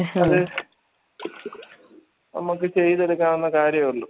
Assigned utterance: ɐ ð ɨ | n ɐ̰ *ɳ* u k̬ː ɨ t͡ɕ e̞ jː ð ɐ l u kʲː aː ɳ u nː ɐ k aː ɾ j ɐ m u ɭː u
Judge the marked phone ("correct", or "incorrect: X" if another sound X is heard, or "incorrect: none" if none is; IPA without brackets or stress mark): incorrect: m